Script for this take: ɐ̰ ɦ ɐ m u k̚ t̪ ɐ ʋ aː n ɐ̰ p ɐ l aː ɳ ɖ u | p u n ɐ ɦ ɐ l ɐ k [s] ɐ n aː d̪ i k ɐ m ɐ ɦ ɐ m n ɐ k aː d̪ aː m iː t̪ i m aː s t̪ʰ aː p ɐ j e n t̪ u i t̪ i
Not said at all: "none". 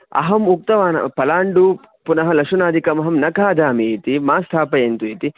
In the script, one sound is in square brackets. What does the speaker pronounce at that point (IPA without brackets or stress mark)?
ʂ